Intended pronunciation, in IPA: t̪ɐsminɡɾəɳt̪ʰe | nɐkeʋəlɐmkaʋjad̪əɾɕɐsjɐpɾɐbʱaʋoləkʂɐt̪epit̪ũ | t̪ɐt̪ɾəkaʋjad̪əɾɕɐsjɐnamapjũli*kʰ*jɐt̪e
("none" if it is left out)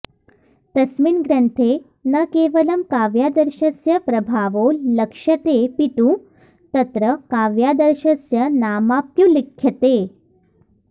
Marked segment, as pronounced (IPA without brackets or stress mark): kʰ